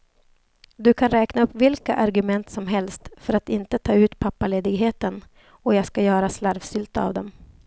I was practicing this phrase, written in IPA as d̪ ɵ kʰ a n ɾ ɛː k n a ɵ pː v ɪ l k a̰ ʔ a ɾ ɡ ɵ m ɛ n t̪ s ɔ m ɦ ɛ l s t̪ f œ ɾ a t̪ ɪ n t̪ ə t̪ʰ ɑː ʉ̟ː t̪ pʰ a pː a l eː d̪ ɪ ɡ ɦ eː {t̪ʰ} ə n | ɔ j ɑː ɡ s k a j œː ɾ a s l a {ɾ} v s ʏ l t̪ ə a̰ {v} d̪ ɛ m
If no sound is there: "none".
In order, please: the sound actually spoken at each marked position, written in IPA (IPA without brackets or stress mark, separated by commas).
t̪, ɾ, v